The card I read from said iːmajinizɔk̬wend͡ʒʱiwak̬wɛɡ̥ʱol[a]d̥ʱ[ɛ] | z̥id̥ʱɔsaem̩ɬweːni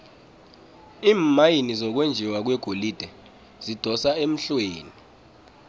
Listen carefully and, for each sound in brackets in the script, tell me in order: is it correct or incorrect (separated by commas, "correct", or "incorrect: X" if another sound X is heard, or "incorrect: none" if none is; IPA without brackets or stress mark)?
incorrect: i, correct